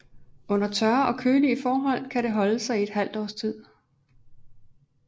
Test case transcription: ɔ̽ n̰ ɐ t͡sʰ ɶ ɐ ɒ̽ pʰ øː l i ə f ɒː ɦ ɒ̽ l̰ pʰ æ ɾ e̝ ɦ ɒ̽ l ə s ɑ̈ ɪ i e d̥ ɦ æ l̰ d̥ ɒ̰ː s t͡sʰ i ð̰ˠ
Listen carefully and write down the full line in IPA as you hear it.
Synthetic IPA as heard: ɔ̽ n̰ ɐ t͡sʰ ɶ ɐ ɒ̽ kʰ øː l i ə f ɒː ɦ ɒ̽ l̰ kʰ æ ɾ e̝ ɦ ɒ̽ l ə s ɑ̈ ɪ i e d̥ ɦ æ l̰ d̥ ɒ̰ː s t͡sʰ i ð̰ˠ